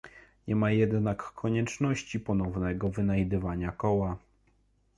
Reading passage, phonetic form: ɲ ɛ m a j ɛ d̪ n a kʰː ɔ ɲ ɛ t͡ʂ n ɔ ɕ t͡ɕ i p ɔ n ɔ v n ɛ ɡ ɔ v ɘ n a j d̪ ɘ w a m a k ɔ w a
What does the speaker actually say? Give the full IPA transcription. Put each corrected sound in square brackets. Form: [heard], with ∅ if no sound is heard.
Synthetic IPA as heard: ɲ ɛ m a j ɛ d̪ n a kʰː ɔ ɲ ɛ t͡ʂ n ɔ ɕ t͡ɕ i p ɔ n ɔ v n ɛ ɡ ɔ v ɘ n a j d̪ ɘ [v] a [ɲ] a k ɔ w a